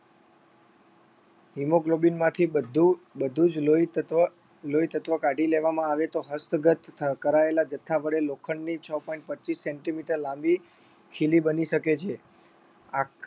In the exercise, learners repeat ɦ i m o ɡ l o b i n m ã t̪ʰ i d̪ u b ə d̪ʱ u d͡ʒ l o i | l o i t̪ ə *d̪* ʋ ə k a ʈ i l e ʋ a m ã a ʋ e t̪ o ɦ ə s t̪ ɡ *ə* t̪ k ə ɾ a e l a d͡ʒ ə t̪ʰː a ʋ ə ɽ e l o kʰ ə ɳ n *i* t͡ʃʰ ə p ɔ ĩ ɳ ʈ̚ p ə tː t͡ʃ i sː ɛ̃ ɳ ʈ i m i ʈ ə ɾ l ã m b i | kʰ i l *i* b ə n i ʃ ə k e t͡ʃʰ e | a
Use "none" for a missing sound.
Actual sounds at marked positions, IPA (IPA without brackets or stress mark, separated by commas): t̪, ə, i, i